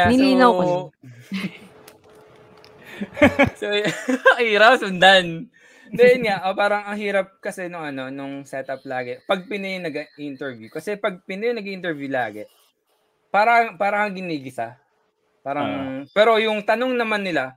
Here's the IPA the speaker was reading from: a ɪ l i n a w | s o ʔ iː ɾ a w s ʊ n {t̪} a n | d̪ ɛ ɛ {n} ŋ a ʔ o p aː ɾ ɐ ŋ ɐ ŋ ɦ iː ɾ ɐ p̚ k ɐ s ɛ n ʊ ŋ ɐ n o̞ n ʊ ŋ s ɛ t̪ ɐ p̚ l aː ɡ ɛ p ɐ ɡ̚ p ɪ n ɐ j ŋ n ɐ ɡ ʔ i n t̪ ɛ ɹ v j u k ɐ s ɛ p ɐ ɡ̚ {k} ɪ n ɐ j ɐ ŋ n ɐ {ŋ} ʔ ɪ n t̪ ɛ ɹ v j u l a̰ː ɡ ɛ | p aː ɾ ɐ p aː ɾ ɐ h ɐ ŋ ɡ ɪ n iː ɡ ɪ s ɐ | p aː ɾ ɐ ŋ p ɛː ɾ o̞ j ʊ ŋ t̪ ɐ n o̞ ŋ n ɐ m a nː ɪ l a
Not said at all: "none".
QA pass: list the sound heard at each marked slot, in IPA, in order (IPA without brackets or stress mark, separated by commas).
d̪, n, p, ɡ